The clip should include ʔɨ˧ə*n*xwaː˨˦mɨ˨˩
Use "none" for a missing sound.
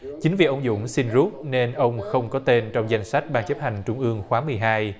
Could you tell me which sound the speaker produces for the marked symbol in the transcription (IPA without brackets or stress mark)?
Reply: ŋ